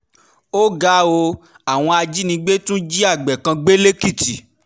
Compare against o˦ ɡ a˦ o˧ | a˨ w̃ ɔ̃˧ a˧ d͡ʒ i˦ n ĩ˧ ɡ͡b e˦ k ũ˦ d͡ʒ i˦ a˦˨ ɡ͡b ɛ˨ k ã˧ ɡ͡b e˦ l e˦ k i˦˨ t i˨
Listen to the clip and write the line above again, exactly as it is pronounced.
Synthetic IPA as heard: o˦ ɡ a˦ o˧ | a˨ w̃ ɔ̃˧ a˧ d͡ʒ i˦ n ĩ˧ ɡ͡b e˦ t ũ˦ d͡ʒ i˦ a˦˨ ɡ͡b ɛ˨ k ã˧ ɡ͡b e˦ l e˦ k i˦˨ t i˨